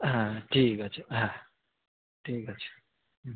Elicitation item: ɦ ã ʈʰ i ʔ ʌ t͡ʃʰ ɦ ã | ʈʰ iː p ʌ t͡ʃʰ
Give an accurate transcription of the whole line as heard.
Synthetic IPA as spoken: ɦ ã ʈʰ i k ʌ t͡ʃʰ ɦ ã | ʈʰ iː k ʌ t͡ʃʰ